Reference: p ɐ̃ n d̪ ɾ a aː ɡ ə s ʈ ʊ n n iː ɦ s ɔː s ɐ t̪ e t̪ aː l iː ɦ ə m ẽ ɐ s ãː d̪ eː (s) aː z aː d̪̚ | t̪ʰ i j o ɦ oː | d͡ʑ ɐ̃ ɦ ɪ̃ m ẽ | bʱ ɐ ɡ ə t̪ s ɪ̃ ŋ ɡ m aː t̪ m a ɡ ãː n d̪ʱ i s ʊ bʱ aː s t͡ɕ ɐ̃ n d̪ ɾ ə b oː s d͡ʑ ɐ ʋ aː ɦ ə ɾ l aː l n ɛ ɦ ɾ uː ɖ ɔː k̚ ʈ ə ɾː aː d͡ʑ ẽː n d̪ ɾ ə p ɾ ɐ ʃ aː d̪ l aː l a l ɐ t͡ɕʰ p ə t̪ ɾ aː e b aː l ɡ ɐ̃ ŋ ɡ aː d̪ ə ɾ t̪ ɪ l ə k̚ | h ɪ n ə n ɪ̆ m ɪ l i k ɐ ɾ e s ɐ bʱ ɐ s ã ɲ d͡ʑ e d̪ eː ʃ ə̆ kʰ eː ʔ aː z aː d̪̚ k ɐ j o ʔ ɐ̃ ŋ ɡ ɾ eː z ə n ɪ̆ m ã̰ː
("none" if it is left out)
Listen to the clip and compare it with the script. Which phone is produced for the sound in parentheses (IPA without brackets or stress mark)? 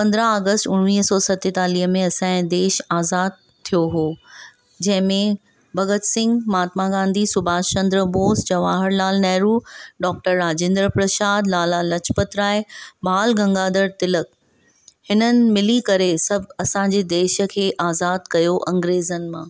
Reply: ʃ